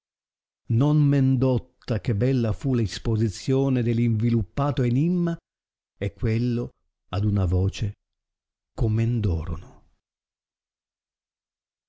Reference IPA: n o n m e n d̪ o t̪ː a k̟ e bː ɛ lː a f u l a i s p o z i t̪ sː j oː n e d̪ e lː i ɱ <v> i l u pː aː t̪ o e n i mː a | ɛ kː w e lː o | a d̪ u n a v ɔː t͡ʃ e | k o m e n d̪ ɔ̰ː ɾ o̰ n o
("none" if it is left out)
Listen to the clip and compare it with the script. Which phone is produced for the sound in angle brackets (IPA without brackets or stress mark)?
v